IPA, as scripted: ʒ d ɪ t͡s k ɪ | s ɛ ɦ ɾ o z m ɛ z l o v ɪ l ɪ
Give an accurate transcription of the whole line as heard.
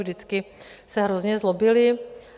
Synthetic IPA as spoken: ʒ d ɪ t͡s k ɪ | s ɛ ɦ ɾ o z ɲ ɛ z l o b ɪ l ɪ